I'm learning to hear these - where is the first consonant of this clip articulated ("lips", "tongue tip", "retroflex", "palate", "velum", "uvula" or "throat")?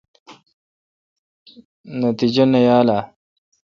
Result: tongue tip